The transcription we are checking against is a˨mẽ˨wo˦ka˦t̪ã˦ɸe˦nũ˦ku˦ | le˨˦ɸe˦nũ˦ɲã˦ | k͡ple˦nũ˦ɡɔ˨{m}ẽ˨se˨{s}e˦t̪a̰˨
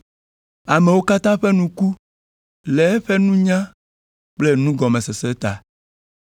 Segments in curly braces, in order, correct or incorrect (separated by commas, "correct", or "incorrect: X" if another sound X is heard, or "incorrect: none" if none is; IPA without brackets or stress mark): correct, correct